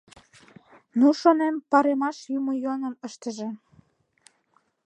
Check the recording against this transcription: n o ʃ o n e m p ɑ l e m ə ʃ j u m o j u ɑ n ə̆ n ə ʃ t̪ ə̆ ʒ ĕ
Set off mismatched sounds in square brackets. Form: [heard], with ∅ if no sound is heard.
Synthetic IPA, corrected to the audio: n [u] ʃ o n e m p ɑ [ɾ] e m [ɑ] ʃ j u m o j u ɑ n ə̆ n ə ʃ t̪ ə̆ ʒ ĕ